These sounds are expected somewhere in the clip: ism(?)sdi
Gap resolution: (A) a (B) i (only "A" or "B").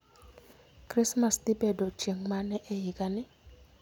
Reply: A